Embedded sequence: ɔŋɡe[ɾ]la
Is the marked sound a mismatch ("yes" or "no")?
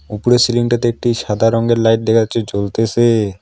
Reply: no